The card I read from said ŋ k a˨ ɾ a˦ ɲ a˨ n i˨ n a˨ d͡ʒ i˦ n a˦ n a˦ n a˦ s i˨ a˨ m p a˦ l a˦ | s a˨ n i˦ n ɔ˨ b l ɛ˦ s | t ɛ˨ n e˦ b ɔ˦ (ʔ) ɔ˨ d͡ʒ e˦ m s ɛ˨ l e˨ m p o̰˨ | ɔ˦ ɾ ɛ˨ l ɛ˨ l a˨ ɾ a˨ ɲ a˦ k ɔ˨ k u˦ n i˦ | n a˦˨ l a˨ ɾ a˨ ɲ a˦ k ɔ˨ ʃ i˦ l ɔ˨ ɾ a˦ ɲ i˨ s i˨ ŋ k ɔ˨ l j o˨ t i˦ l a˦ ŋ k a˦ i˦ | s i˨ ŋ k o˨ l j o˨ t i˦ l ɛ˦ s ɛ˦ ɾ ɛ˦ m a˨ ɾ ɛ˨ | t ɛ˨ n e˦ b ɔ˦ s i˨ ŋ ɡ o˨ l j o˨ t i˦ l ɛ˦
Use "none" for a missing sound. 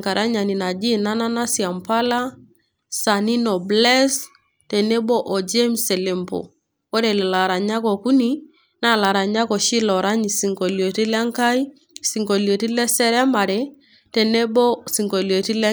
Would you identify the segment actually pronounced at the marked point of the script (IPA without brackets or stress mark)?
ʔ